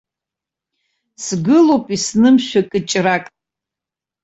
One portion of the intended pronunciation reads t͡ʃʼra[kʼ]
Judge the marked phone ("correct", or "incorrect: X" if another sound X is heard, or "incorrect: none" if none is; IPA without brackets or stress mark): correct